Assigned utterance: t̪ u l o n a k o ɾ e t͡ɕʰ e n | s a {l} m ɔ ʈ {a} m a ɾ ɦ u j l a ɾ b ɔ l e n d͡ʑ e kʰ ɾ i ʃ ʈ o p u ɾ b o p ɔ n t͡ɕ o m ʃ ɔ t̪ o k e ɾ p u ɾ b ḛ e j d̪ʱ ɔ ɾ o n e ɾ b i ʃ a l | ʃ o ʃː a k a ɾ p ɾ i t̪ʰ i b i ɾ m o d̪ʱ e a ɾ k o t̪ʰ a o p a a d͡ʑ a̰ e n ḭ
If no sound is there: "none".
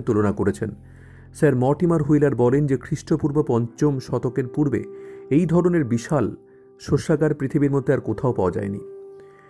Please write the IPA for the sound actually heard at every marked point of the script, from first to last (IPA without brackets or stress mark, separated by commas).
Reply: ɾ, i